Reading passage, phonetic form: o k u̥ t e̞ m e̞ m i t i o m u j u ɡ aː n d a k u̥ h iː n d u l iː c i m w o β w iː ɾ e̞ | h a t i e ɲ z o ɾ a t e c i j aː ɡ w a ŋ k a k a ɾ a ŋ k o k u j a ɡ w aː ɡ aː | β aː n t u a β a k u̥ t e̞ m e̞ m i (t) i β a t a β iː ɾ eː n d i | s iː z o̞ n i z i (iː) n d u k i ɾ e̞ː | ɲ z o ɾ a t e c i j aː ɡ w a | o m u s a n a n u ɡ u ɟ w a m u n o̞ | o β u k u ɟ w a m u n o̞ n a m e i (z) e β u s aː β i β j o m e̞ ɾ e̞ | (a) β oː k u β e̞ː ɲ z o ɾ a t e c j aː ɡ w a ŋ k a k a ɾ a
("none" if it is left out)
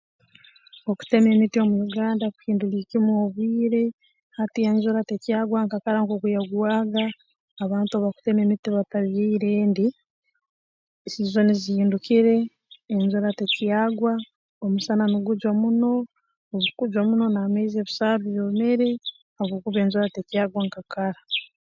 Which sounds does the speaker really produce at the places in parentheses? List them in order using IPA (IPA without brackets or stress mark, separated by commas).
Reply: t, iː, z, a